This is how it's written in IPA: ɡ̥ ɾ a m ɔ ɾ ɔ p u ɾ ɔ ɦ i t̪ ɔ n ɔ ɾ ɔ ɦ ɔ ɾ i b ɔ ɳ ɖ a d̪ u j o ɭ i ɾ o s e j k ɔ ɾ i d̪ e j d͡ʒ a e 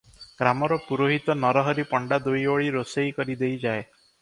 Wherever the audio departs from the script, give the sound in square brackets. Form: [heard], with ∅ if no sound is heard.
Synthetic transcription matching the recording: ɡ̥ ɾ a m ɔ ɾ ɔ p u ɾ [o] ɦ i t̪ ɔ n ɔ ɾ ɔ ɦ ɔ ɾ i [p] ɔ ɳ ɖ a d̪ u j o ɭ i ɾ o s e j k ɔ ɾ i d̪ e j d͡ʒ a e